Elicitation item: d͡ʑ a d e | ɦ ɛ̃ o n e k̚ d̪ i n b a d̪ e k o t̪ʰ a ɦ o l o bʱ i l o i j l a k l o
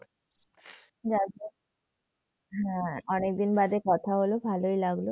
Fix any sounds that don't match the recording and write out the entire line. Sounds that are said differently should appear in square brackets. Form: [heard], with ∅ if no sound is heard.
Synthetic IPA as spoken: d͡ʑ a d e | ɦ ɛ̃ [ɔ] n e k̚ d̪ i n b a d̪ e k [ɔ] t̪ʰ a ɦ o l o bʱ [a] l o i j l a [ɡ] l o